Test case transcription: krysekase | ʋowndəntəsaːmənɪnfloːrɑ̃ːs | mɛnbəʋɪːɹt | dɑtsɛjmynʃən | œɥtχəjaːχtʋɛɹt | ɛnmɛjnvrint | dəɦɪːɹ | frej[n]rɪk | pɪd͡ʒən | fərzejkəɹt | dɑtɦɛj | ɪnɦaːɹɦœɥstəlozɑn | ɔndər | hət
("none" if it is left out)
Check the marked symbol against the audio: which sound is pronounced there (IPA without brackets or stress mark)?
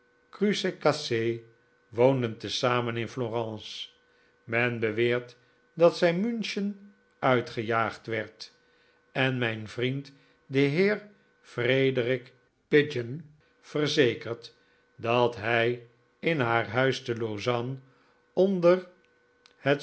d